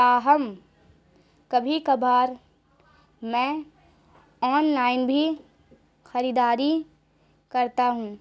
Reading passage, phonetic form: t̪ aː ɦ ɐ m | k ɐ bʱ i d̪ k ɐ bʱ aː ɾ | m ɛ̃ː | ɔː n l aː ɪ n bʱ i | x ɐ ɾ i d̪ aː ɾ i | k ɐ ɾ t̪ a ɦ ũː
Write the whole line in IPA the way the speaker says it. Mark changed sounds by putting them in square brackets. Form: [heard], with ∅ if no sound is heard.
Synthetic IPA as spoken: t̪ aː ɦ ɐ m | k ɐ bʱ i [∅] k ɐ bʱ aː ɾ | m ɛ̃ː | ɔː n l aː ɪ n bʱ i | x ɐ ɾ i d̪ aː ɾ i | k ɐ ɾ t̪ a ɦ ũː

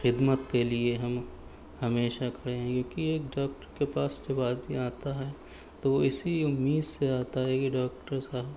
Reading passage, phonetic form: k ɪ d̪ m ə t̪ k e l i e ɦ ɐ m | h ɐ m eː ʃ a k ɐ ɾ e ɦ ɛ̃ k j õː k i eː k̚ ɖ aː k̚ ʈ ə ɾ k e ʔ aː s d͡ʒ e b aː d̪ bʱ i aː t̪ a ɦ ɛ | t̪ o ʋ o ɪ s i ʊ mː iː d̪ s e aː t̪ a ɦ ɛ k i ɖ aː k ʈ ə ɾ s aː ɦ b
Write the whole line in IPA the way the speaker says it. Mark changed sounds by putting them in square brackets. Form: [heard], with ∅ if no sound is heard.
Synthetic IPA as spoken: [x] ɪ d̪ m ə t̪ k e l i e ɦ ɐ m | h ɐ m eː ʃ a k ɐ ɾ e ɦ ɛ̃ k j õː k i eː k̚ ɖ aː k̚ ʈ ə ɾ k e [p] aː s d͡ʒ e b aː d̪ bʱ i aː t̪ a ɦ ɛ | t̪ o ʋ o ɪ s i ʊ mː iː d̪ s e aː t̪ a ɦ ɛ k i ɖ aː k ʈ ə ɾ s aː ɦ b

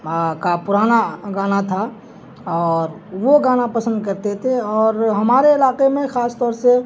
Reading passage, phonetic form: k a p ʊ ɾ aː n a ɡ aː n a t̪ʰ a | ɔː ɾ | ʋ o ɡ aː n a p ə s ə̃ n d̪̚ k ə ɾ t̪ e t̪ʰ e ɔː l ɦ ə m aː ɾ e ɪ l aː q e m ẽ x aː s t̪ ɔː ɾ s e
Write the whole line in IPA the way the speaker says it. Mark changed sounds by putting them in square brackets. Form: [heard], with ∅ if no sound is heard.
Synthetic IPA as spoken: k a p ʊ ɾ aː n a ɡ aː n a t̪ʰ a | ɔː ɾ | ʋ o ɡ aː n a p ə s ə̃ n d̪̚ k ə ɾ t̪ e t̪ʰ e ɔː [ɾ] ɦ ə m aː ɾ e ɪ l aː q e m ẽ x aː s t̪ ɔː ɾ s e

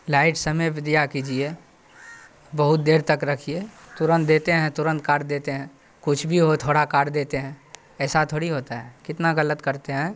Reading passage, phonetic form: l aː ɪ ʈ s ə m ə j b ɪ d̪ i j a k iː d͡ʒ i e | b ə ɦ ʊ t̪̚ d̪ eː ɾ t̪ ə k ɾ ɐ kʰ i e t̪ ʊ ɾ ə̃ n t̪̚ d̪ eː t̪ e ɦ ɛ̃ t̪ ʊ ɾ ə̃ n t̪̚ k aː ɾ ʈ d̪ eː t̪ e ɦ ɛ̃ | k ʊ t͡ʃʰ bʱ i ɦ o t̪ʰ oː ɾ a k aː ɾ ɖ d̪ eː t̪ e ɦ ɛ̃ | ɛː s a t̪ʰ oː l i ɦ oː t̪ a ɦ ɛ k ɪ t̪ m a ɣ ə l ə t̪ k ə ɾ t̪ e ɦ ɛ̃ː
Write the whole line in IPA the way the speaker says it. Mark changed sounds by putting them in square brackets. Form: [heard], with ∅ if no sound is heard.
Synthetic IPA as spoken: l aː ɪ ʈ s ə m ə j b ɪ d̪ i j a k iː d͡ʒ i e | b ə ɦ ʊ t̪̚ d̪ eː ɾ t̪ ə k ɾ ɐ kʰ i e t̪ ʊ ɾ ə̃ n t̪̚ d̪ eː t̪ e ɦ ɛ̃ t̪ ʊ ɾ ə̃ n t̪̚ k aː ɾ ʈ d̪ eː t̪ e ɦ ɛ̃ | k ʊ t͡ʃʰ bʱ i ɦ o t̪ʰ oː [ɽ] a k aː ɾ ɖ d̪ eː t̪ e ɦ ɛ̃ | ɛː s a t̪ʰ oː [ɽ] i ɦ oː t̪ a ɦ ɛ k ɪ t̪ [n] a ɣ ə l ə t̪ k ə ɾ t̪ e ɦ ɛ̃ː

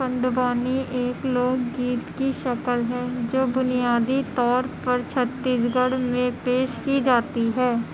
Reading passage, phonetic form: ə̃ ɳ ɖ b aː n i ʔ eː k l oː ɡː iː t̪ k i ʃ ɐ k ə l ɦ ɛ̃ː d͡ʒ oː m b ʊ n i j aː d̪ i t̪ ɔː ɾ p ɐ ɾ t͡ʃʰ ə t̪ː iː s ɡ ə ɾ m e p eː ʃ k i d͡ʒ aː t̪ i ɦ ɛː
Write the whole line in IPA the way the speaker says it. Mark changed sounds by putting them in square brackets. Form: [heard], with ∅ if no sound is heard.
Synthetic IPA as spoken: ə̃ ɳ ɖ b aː n i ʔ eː k l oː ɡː iː t̪ k i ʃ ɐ k ə l ɦ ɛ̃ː d͡ʒ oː [∅] b ʊ n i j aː d̪ i t̪ ɔː ɾ p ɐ ɾ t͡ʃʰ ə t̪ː iː s ɡ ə [ɽ] m [ẽ] p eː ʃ k i d͡ʒ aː t̪ i ɦ ɛː

